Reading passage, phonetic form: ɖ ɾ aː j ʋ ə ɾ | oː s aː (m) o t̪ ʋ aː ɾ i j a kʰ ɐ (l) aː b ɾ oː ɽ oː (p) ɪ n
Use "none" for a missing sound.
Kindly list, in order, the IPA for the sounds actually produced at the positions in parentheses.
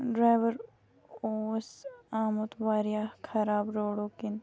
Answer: m, ɾ, k

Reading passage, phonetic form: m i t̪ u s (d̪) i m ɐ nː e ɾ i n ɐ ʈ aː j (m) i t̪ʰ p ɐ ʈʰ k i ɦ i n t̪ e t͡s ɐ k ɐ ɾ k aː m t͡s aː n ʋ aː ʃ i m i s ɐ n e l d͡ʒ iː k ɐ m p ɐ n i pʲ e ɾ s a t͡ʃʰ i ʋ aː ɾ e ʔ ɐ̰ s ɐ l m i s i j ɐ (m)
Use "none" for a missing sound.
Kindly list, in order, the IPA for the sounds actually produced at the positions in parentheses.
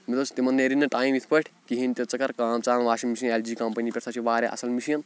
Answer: t̪, m, n

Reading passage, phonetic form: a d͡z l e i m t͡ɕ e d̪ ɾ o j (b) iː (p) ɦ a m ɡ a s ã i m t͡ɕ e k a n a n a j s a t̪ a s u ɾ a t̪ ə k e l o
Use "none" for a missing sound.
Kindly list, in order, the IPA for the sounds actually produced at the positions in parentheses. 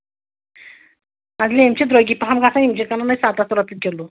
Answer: ɡ, p

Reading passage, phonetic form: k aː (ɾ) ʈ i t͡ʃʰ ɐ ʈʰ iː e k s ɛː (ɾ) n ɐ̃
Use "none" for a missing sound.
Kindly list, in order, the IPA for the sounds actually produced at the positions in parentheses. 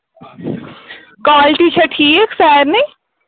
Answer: l, ɾ

